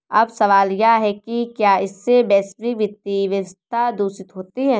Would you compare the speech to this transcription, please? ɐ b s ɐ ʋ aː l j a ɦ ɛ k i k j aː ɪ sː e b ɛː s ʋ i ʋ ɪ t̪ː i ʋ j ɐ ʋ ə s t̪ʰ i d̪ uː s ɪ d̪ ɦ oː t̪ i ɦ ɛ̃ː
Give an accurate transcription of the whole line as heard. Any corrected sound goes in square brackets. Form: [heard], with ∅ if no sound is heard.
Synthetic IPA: ɐ b s ɐ ʋ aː l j a ɦ ɛ k i k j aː ɪ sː e b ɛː s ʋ i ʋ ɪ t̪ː i ʋ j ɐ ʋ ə s t̪ʰ [a] d̪ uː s ɪ [t̪] ɦ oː t̪ i ɦ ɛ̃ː